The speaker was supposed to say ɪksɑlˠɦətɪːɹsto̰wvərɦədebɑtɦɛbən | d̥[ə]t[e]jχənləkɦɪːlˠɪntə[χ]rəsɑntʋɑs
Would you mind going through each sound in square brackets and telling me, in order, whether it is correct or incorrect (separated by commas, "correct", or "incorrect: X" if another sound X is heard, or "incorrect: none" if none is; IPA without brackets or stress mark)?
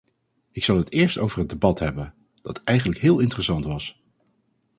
incorrect: ɑ, incorrect: ɛ, incorrect: none